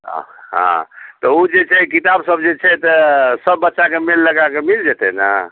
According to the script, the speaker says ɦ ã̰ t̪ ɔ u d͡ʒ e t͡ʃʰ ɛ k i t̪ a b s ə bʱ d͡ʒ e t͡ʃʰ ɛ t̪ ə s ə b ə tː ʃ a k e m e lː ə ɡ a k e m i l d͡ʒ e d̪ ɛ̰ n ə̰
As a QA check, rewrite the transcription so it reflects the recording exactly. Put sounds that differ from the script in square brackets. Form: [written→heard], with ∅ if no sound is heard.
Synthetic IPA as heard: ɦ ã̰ t̪ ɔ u d͡ʒ e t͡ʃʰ ɛ k i t̪ a b s ə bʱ d͡ʒ e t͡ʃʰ ɛ t̪ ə s ə [b→bː] ə tː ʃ a k e m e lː ə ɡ a k e m i l d͡ʒ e [d̪→t̪] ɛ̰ n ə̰